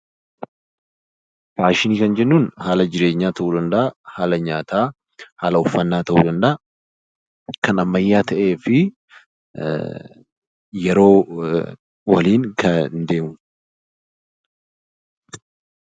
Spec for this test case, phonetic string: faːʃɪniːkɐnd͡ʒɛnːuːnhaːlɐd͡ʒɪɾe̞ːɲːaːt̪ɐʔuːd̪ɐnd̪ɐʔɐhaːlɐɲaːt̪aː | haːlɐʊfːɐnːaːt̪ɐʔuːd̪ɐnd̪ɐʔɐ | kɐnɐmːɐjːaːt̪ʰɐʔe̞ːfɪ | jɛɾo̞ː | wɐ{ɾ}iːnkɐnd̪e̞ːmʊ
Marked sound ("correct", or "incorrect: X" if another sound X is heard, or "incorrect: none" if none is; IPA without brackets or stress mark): incorrect: l